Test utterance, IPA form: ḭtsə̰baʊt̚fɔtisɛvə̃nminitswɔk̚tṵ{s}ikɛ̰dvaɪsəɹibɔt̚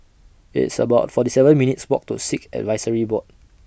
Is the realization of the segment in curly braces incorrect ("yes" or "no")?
no